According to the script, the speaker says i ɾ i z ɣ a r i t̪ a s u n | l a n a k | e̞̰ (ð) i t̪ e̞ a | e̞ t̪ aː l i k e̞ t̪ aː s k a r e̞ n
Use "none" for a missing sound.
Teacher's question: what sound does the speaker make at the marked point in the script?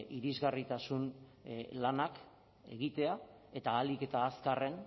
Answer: ɣ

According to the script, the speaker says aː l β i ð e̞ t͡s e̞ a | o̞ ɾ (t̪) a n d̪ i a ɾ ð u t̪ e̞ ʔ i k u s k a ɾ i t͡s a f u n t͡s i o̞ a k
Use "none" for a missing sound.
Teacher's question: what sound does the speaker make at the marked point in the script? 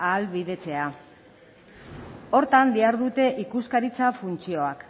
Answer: t̪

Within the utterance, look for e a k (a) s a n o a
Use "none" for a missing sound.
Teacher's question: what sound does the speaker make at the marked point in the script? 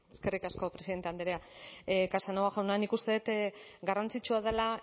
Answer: a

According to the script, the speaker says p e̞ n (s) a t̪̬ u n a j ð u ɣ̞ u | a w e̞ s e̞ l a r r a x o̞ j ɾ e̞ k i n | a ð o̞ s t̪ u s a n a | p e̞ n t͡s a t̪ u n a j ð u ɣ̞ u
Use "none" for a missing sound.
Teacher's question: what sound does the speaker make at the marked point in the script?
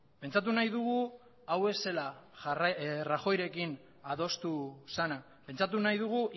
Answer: t͡s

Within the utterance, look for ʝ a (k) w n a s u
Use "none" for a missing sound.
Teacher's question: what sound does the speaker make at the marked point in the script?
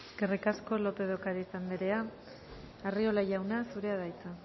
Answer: none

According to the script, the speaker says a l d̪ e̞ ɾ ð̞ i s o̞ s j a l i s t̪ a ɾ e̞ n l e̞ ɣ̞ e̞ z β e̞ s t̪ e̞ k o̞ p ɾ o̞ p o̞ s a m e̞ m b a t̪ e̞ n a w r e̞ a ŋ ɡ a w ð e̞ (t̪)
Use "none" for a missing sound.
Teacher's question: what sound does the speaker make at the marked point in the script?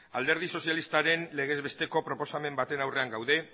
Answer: none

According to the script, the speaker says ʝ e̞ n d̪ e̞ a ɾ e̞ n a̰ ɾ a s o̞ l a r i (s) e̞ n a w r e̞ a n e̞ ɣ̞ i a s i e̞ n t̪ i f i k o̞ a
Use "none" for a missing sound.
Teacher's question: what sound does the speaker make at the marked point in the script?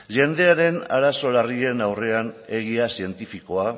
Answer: none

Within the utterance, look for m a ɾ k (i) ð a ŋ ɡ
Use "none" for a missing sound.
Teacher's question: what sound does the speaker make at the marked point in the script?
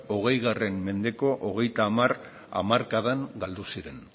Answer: a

